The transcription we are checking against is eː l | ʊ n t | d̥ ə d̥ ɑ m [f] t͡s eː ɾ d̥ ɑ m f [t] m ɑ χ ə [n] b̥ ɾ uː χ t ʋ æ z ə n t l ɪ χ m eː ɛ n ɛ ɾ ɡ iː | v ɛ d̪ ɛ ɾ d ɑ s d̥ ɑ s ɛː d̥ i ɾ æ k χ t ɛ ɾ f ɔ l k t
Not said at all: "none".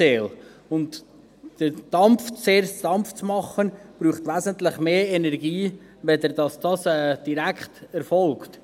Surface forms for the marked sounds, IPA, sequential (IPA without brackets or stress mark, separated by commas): f, t͡s, n